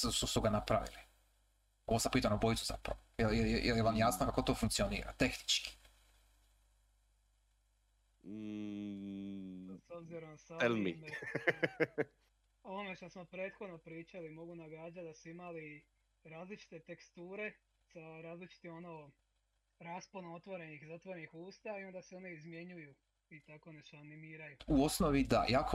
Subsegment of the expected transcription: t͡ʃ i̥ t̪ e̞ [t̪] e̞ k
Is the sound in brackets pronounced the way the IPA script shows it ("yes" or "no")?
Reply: yes